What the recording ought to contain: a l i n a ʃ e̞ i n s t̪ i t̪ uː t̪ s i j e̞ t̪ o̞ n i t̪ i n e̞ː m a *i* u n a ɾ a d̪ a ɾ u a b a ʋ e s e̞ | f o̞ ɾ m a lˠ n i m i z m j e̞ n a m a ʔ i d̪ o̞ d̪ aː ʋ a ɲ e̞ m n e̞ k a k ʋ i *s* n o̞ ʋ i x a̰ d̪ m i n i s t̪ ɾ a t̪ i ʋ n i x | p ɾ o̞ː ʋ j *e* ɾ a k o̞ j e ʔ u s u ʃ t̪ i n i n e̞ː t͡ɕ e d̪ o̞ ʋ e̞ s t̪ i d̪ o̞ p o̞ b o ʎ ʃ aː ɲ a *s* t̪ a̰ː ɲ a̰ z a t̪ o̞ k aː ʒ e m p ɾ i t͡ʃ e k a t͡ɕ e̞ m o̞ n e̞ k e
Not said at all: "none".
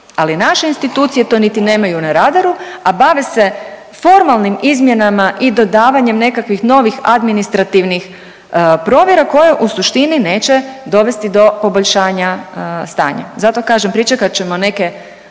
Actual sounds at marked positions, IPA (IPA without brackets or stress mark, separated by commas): j, x, e, s